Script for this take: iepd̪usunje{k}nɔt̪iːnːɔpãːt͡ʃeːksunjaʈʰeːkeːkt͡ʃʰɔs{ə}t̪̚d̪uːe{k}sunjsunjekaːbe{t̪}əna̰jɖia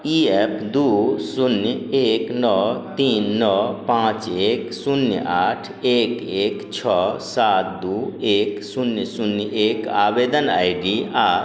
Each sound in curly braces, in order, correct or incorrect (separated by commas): correct, incorrect, correct, incorrect